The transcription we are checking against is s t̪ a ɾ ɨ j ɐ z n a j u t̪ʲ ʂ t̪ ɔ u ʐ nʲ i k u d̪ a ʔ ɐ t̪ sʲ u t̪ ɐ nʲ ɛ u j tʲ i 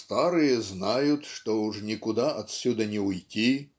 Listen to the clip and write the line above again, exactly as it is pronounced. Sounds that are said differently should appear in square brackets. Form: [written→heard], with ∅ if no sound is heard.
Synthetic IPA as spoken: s t̪ a ɾ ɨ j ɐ z n a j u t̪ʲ ʂ t̪ ɔ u ʐ nʲ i k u d̪ a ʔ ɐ t̪ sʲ u [t̪→d̪] ɐ nʲ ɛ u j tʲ i